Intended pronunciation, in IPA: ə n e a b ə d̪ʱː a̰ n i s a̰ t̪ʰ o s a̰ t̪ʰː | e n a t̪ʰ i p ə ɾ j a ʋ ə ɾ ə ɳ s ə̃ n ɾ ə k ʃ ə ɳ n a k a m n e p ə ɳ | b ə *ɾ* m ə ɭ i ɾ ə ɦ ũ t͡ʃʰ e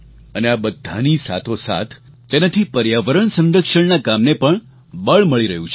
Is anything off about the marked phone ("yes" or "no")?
yes